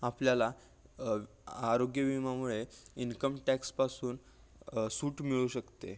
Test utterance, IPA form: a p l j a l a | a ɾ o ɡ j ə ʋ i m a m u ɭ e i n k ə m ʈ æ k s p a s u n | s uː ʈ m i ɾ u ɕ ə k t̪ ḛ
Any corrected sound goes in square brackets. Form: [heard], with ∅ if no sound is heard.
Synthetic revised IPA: a p l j a l a | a ɾ o ɡ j ə ʋ i m a m u ɭ e i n k ə m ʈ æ k s p a s [uː] n | s uː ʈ m i [ɭ] u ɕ ə k t̪ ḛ